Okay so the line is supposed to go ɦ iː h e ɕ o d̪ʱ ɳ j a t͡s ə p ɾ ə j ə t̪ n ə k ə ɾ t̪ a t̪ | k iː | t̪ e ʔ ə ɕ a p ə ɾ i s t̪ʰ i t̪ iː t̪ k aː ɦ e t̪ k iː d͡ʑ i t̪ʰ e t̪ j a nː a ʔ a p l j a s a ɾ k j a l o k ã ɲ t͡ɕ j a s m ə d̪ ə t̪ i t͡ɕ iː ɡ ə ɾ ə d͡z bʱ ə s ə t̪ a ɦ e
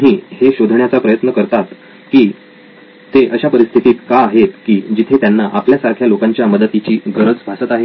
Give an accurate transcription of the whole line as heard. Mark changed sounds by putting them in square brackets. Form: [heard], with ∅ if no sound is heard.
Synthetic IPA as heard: ɦ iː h e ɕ o d̪ʱ ɳ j a t͡s [a] p ɾ ə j ə t̪ n ə k ə ɾ t̪ a t̪ | k iː | t̪ e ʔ ə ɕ a p ə ɾ i s t̪ʰ i t̪ iː t̪ k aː ɦ e t̪ k iː d͡ʑ i t̪ʰ e t̪ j a nː a ʔ a p l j a s a ɾ [kʰ] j a l o k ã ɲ t͡ɕ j a [∅] m ə d̪ ə t̪ i t͡ɕ iː ɡ ə ɾ ə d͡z bʱ [a] s ə t̪ a ɦ e